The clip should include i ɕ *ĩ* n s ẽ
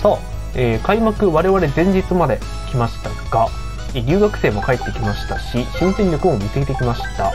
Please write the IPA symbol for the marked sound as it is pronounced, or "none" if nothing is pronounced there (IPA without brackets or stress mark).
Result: ĩ